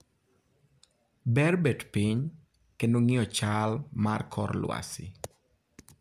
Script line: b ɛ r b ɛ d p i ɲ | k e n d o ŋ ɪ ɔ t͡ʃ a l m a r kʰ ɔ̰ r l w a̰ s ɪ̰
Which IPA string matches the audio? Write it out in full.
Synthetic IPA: b ɛ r b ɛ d p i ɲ | k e n d o ŋ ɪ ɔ t͡ʃ a l m a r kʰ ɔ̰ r l w a̰ s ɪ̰